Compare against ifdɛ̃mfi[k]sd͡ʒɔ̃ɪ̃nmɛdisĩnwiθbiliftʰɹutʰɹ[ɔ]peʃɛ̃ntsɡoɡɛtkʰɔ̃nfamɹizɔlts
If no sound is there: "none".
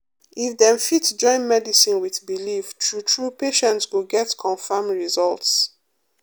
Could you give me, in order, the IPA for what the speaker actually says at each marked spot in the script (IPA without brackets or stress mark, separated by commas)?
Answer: t, u